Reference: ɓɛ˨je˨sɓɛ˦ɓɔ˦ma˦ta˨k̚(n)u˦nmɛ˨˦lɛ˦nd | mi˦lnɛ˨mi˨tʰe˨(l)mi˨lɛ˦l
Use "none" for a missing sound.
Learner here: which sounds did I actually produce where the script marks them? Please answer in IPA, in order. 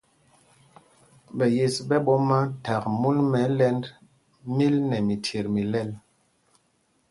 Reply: m, ɾ

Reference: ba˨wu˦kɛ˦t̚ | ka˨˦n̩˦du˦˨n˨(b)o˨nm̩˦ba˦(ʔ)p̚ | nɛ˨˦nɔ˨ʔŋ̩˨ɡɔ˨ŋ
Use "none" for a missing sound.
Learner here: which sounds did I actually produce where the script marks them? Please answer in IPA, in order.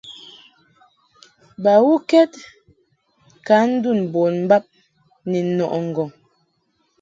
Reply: b, none

